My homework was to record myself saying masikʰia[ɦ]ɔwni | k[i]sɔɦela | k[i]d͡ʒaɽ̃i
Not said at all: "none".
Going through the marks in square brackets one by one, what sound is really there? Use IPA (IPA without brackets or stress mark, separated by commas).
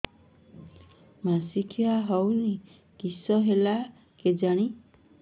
ɦ, i, e